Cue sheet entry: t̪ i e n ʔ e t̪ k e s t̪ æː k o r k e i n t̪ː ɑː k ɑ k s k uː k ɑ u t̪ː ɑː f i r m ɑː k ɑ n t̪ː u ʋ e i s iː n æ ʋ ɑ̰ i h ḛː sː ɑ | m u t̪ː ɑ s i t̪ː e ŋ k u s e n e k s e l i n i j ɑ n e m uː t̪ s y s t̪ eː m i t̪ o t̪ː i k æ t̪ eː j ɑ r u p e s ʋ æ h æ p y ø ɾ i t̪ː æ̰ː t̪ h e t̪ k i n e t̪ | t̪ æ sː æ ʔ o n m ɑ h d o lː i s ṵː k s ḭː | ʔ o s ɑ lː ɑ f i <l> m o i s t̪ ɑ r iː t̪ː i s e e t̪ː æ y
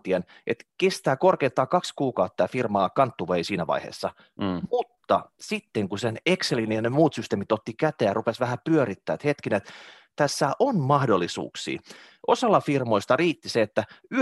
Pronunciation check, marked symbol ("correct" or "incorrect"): incorrect